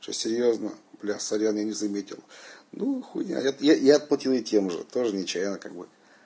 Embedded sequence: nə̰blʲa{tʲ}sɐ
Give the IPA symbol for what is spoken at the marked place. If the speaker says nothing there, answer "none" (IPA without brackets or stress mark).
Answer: none